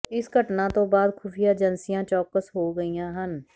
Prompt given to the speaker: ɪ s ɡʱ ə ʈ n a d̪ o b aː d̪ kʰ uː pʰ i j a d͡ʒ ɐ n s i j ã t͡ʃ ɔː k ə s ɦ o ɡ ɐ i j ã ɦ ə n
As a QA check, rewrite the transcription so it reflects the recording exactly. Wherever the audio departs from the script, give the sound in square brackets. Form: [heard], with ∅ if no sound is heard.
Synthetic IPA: ɪ s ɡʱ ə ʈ n a [t̪] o b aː d̪ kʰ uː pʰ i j a d͡ʒ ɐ n s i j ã t͡ʃ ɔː k ə s ɦ o ɡ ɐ i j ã ɦ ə n